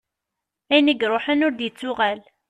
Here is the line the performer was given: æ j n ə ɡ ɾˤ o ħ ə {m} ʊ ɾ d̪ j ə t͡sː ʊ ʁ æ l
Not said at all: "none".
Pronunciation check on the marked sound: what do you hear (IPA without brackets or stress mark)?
n